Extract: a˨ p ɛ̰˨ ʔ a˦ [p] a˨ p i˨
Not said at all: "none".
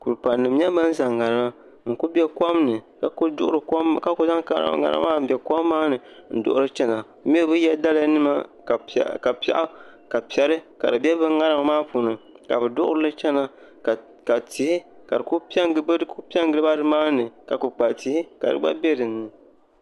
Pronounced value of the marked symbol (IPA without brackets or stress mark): k